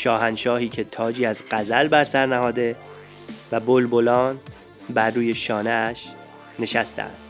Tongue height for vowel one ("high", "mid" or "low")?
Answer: low